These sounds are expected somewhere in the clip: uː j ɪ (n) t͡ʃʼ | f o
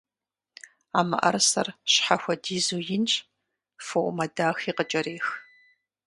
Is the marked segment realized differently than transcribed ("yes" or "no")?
no